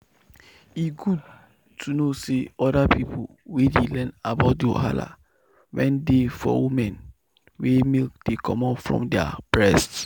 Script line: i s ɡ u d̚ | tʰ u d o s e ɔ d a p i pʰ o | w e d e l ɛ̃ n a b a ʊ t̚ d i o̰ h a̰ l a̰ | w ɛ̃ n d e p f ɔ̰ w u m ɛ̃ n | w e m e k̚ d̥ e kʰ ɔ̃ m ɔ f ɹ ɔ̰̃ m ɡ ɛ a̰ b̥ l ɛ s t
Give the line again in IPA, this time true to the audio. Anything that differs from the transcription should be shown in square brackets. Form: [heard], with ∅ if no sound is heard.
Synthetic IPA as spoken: i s ɡ u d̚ | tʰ u [n] o s e ɔ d a p i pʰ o | w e d e l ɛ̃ n a b a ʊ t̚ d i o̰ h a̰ l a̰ | w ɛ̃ n d e [∅] f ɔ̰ w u m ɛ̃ n | w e m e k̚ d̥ e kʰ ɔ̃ m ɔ f ɹ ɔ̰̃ m [d] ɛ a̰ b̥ [ɹ] ɛ s t